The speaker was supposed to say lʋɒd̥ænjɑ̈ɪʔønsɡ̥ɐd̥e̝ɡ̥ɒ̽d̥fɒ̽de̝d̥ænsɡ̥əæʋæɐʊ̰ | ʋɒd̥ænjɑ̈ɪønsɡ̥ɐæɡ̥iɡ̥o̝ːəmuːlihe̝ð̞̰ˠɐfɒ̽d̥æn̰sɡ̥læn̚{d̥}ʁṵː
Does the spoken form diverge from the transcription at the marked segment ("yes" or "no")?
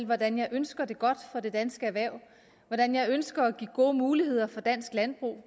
yes